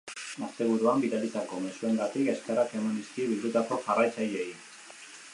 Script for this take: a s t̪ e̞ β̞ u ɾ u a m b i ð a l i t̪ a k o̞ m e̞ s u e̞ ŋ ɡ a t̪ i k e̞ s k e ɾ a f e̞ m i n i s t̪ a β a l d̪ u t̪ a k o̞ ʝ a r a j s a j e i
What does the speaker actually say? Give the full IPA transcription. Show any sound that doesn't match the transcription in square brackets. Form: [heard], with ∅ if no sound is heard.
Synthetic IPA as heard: a s t̪ e̞ β̞ u ɾ u a m b i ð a l i t̪ a k o̞ m e̞ s u e̞ ŋ ɡ a t̪ i k e̞ s k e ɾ a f e̞ m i n i s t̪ [i] β [i] l d̪ u t̪ a k o̞ ʝ a r a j [t͡s] a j e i